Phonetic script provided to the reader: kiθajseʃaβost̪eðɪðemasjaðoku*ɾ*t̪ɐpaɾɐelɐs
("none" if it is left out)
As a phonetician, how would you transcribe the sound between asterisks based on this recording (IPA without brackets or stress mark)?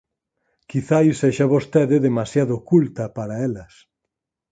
l